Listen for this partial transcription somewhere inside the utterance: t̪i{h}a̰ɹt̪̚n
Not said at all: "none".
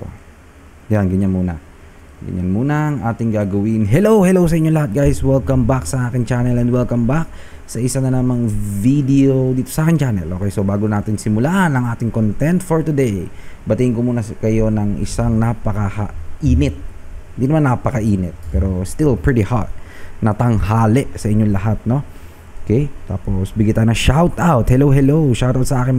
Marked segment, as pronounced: h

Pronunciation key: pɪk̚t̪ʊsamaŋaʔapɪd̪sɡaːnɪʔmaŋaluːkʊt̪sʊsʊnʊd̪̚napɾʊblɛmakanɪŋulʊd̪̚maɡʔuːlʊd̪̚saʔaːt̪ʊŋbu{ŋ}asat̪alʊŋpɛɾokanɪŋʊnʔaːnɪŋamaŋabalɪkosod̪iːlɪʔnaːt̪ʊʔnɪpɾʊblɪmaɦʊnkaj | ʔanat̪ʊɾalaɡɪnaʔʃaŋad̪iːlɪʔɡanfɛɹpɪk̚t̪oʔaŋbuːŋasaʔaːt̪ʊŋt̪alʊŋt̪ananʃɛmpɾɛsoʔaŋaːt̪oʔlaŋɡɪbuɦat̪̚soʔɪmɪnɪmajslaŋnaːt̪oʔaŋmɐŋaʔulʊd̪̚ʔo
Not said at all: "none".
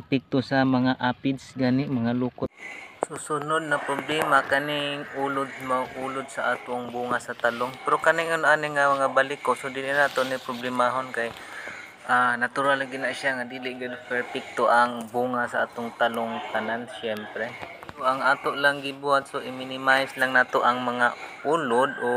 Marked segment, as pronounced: ŋ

